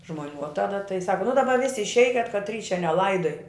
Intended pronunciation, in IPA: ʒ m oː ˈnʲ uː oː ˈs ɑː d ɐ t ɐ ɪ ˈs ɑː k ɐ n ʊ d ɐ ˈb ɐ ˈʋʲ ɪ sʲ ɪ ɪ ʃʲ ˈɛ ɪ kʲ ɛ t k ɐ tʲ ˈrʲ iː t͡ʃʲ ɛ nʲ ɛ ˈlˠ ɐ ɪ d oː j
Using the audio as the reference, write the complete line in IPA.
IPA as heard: ʒ m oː ˈnʲ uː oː ˈt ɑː d ɐ t ɐ ɪ ˈs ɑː k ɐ n ʊ d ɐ ˈb ɐ ˈʋʲ ɪ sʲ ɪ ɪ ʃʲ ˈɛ ɪ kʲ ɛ t k ɐ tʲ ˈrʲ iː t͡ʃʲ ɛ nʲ ɛ ˈlˠ ɐ ɪ d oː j